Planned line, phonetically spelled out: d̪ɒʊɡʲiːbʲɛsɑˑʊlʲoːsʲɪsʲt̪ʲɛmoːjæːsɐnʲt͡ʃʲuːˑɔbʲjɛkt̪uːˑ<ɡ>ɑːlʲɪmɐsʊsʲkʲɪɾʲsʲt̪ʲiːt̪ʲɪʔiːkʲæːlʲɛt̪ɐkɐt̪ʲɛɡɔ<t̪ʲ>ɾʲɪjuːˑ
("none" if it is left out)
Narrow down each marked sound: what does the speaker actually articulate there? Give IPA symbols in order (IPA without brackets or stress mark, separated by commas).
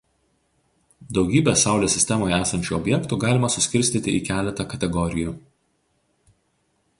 ɡ, none